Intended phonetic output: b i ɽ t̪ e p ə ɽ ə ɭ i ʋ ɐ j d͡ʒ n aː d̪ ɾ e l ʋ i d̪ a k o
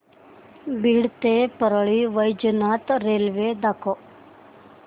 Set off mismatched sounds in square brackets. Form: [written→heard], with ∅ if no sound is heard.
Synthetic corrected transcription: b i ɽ t̪ e p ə [ɽ→ɾ] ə ɭ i ʋ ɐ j d͡ʒ n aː [d̪→t̪] ɾ e l ʋ [i→e] d̪ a k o